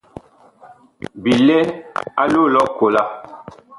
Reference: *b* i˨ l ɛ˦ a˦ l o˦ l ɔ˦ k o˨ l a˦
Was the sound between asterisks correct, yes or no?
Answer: yes